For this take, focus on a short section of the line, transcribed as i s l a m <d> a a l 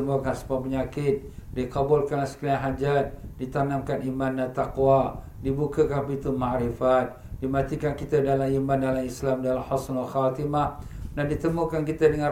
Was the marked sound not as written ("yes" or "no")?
no